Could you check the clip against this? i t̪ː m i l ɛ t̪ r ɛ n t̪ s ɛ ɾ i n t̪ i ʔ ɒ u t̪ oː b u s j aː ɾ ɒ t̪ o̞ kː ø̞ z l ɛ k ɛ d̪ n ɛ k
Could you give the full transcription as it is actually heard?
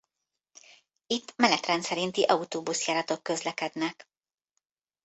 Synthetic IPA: i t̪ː m ɛ l ɛ t̪ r ɛ n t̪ s ɛ ɾ i n t̪ i ʔ ɒ u t̪ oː b u s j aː ɾ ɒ t̪ o̞ kː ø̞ z l ɛ k ɛ d̪ n ɛ k